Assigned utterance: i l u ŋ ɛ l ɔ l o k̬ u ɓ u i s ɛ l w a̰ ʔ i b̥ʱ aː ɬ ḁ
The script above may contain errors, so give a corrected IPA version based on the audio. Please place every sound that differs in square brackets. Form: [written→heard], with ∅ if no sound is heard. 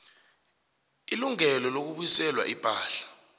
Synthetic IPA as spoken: i l u ŋ ɛ l ɔ l o k̬ u ɓ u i s ɛ l w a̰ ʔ i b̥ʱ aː ɬ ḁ

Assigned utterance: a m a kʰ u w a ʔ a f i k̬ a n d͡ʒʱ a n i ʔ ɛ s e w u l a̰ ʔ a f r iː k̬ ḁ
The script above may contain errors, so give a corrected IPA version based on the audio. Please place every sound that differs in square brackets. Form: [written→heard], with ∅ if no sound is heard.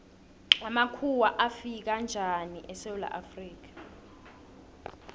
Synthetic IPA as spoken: a m a kʰ u w a ʔ a f i k̬ a n d͡ʒʱ a n i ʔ ɛ s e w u l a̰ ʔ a f r iː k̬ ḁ

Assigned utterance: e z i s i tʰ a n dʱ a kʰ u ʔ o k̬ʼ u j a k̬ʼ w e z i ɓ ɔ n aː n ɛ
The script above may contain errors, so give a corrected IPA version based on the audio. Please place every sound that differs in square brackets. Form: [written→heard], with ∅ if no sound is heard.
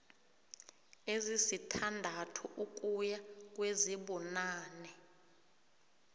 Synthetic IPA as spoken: e z i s i tʰ a n dʱ a [kʰ→tʰ] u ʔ [o→u] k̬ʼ u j a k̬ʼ w e z i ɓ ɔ n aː n ɛ

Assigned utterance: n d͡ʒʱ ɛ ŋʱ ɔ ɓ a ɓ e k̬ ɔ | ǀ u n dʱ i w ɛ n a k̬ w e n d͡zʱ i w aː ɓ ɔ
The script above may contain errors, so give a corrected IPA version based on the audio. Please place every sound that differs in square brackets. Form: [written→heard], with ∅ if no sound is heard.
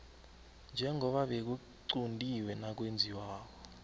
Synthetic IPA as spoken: n d͡ʒʱ ɛ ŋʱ ɔ ɓ a ɓ e k̬ [ɔ→u] | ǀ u n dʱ i w ɛ n a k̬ w e n d͡zʱ i w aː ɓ ɔ

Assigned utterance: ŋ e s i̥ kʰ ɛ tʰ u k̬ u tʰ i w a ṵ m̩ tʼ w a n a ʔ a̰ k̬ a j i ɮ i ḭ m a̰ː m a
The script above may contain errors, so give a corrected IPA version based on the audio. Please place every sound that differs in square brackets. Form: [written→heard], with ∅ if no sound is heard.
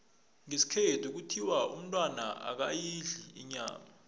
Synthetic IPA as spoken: ŋ e s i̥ kʰ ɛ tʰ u k̬ u tʰ i w a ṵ m̩ tʼ w a n a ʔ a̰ k̬ a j i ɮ i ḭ [m→ɲ] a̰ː m a

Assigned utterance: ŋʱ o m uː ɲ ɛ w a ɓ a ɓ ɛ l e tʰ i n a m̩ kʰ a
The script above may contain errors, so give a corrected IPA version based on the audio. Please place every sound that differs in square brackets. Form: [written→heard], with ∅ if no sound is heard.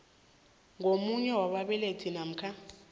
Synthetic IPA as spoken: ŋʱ o m [uː→u] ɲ ɛ w a ɓ a ɓ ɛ l e tʰ i n a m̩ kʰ a

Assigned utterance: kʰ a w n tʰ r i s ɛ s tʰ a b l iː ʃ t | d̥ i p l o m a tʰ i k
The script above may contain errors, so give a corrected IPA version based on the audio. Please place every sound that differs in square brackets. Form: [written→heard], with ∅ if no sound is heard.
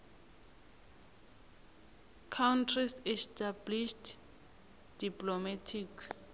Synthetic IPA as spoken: kʰ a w n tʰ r i s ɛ s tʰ a b l [iː→i] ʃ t | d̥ i p l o m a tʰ i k

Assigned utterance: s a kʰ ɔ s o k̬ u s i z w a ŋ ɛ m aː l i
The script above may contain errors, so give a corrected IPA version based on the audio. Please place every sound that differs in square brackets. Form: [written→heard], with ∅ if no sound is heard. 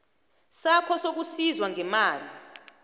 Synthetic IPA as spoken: s a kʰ ɔ s o k̬ u s i z w a ŋ ɛ m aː l i

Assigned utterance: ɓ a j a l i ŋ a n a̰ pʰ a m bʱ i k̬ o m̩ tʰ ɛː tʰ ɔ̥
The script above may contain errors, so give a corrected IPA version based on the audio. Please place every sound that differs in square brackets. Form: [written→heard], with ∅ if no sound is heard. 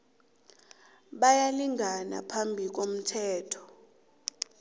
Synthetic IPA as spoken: ɓ a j a l i ŋ a n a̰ pʰ a m bʱ i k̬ o m̩ tʰ ɛː tʰ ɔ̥

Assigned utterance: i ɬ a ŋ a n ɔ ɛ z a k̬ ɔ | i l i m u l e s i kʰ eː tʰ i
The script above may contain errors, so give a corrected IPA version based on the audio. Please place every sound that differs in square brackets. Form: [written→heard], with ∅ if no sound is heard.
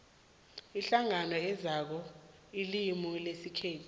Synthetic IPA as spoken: i ɬ a ŋ a n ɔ ɛ z a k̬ ɔ | i l i m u l e s i kʰ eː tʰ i

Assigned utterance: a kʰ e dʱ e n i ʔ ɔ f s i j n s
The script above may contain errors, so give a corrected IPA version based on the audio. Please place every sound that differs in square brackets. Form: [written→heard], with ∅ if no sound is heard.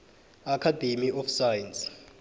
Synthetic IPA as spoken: a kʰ [e→a] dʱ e [n→m] i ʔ ɔ f s [i→a] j n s

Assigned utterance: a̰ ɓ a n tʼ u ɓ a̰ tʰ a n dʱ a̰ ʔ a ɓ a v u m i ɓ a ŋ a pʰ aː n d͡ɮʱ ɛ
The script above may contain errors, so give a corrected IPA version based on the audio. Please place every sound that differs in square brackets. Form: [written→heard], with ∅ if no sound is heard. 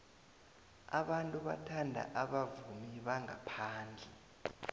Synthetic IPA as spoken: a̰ ɓ a n tʼ u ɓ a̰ tʰ a n dʱ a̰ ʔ a ɓ a v u m i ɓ a ŋ a pʰ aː n d͡ɮʱ ɛ

